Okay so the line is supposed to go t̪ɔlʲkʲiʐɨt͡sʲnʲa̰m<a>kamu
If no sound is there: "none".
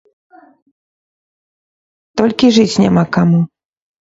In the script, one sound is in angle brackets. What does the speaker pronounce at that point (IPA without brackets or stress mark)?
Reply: a